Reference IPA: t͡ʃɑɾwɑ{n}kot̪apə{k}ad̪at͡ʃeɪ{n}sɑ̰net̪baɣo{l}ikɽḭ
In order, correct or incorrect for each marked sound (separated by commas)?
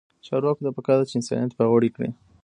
incorrect, correct, correct, incorrect